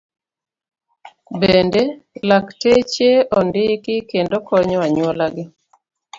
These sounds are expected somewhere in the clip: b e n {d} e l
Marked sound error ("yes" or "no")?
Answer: no